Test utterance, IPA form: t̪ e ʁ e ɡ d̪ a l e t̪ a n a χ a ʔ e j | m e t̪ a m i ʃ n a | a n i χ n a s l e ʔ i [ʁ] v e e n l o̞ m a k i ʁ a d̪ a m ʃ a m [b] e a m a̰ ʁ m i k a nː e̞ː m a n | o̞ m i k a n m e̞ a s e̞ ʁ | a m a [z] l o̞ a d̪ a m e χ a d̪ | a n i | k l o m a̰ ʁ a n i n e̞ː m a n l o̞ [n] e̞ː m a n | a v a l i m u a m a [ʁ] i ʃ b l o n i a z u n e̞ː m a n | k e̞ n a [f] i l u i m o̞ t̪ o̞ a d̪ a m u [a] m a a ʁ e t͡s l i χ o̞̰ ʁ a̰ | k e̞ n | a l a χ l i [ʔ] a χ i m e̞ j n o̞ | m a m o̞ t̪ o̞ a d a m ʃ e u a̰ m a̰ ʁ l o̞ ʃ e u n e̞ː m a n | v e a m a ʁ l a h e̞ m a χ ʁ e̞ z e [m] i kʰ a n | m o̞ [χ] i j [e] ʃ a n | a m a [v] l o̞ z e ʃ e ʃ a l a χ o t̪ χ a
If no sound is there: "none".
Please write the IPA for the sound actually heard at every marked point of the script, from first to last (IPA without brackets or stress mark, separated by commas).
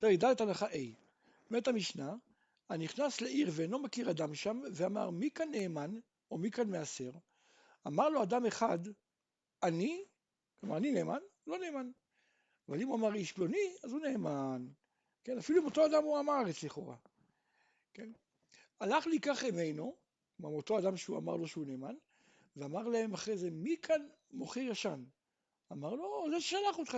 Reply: ʁ, v, ʁ, n, ʁ, f, a, k, m, χ, a, ʁ